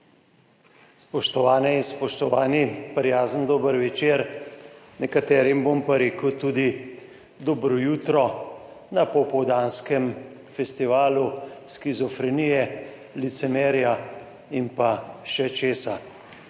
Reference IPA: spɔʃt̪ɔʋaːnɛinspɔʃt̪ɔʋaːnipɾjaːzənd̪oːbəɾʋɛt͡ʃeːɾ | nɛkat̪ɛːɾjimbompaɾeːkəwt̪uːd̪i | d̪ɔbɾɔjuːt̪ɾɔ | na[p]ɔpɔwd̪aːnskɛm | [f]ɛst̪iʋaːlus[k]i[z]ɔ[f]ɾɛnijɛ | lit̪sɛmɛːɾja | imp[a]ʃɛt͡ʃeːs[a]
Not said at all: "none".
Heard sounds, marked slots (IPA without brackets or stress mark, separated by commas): p, f, k, z, f, a, a